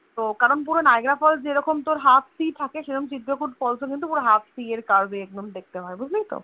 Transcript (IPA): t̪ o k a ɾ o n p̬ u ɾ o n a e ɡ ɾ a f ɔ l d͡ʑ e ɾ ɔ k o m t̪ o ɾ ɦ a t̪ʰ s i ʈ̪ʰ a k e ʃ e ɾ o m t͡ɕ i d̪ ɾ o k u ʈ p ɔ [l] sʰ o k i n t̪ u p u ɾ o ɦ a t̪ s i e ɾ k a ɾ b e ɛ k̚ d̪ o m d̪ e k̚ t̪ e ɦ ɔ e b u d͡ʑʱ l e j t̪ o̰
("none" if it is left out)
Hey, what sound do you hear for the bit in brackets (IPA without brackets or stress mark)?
l